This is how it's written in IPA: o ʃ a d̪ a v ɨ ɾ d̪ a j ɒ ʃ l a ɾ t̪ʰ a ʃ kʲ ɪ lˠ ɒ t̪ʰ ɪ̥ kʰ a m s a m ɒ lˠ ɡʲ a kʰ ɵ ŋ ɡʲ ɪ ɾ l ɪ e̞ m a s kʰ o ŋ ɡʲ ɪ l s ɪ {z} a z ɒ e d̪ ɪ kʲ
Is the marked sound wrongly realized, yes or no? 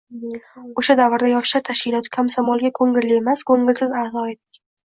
no